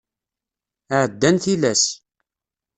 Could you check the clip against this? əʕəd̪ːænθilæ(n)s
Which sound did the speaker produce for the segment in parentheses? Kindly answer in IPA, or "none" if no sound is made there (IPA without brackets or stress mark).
none